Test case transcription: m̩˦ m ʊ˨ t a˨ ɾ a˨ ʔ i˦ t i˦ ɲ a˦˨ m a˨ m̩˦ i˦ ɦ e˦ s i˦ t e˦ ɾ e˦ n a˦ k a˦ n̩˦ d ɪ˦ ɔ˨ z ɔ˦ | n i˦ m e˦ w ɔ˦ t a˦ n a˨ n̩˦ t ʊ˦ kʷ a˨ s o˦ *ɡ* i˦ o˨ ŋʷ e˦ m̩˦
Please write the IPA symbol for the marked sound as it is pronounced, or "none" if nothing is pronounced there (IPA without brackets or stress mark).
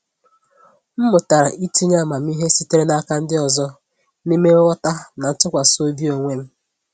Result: b